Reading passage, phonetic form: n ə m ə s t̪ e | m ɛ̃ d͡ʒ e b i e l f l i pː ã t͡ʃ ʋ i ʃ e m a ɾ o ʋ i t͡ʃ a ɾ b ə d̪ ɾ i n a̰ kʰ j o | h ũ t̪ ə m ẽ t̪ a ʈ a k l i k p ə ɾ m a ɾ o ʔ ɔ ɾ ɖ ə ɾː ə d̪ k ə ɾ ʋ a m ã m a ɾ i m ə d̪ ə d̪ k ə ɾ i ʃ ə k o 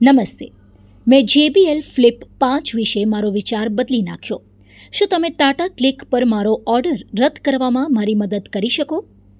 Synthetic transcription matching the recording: n ə m ə s t̪ e | m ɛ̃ d͡ʒ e b i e l f l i pː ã t͡ʃ ʋ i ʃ e m a ɾ o ʋ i t͡ʃ a ɾ b ə d̪ l i n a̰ kʰ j o | ʃ ũ t̪ ə m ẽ t̪ a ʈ a k l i k p ə ɾ m a ɾ o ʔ ɔ ɾ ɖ ə ɾː ə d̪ k ə ɾ ʋ a m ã m a ɾ i m ə d̪ ə d̪ k ə ɾ i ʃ ə k o